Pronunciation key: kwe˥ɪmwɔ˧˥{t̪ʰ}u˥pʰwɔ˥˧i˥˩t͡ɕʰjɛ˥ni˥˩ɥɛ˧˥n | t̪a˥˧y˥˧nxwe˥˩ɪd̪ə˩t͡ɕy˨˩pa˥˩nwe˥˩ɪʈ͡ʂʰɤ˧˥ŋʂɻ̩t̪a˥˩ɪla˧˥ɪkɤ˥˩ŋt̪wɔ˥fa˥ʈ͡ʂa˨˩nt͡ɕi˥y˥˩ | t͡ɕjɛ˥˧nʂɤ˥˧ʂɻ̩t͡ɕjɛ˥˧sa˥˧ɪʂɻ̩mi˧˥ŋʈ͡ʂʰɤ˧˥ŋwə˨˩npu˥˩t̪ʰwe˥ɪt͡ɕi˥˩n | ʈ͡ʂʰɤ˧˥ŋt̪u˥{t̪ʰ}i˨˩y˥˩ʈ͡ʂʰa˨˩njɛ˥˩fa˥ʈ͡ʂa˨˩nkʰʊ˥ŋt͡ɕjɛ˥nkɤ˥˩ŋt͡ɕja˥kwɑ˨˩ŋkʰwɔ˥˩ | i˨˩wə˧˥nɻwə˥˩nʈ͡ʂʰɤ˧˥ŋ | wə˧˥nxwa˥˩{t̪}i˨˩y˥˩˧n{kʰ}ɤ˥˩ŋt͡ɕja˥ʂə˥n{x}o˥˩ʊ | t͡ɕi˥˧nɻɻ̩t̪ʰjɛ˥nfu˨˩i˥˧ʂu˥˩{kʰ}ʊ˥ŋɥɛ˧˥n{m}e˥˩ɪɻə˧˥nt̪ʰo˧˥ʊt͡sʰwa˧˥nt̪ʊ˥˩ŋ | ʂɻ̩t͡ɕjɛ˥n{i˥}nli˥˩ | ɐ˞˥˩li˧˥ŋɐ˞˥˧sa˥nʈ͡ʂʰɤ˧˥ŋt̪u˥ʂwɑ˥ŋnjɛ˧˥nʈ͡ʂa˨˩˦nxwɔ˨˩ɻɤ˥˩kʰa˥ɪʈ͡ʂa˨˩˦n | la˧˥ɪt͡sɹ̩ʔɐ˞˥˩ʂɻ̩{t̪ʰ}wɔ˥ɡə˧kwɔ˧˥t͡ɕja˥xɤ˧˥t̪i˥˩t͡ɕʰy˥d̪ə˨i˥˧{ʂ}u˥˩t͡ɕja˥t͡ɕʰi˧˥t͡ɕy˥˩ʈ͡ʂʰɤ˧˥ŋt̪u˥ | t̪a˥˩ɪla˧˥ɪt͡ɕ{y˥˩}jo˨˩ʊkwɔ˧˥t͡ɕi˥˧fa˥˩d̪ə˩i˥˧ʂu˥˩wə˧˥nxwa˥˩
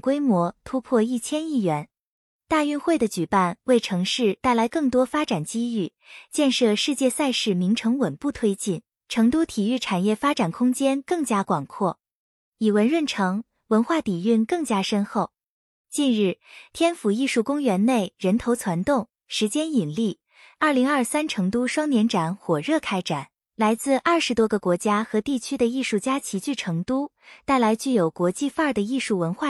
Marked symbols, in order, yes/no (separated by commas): yes, yes, yes, no, yes, no, no, no, no, yes, yes